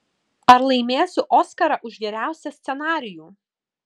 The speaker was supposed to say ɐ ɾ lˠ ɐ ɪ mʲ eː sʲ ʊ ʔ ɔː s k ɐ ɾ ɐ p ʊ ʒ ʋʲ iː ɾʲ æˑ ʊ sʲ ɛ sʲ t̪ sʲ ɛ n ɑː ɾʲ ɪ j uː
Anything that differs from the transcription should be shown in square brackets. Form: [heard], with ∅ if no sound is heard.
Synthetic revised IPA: ɐ ɾ lˠ ɐ ɪ mʲ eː sʲ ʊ ʔ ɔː s k ɐ ɾ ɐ [ʔ] ʊ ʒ ʋʲ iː ɾʲ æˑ ʊ sʲ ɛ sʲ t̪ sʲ ɛ n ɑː ɾʲ ɪ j uː